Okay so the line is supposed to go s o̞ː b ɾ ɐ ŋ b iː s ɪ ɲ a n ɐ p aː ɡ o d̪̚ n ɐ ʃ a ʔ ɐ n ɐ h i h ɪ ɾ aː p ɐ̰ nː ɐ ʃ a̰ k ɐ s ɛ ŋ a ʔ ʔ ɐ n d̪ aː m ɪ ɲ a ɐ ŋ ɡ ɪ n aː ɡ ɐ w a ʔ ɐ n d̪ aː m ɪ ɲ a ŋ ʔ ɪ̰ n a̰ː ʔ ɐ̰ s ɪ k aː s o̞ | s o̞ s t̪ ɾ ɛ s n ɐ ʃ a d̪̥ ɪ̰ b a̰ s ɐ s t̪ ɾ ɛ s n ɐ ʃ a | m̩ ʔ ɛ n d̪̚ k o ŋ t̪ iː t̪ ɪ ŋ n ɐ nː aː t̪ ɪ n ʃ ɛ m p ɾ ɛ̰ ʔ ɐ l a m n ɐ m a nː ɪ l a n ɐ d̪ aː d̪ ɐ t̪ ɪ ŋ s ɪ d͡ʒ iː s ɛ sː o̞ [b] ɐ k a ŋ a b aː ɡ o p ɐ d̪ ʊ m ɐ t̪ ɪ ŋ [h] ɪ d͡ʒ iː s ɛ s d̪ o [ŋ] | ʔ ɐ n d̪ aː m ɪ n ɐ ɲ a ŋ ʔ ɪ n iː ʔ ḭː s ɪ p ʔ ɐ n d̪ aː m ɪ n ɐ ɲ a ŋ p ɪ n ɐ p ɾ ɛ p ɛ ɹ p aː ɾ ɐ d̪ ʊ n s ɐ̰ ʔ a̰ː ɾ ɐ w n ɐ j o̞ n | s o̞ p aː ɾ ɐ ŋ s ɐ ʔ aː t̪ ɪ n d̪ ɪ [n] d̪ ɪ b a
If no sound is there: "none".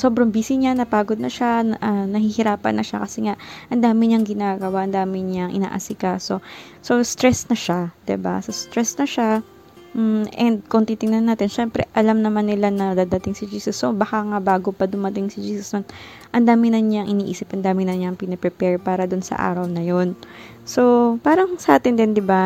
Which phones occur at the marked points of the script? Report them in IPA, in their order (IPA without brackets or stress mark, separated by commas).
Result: b, s, n, n